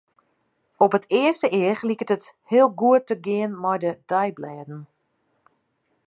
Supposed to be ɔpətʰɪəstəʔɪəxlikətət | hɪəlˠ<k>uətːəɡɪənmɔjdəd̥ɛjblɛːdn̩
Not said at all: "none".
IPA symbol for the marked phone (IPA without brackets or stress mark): ɡ